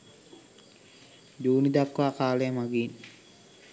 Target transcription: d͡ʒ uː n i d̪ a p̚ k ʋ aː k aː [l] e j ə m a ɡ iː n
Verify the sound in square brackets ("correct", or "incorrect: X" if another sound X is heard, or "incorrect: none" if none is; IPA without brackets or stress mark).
correct